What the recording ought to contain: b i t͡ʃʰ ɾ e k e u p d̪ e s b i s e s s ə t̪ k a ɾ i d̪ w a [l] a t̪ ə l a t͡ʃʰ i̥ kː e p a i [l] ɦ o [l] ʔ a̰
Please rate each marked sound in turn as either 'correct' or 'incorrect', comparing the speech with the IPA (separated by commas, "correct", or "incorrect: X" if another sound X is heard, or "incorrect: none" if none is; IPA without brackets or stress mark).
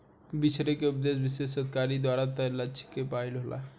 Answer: incorrect: ɾ, correct, correct